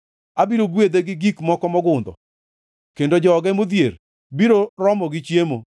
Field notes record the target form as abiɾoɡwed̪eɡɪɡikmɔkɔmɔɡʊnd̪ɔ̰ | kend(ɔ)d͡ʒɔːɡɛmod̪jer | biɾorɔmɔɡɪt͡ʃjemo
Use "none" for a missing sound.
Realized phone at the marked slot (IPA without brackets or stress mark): o